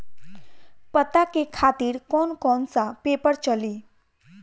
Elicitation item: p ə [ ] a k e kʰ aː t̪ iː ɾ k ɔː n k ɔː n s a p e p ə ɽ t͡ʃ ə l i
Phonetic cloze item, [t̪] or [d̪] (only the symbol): t̪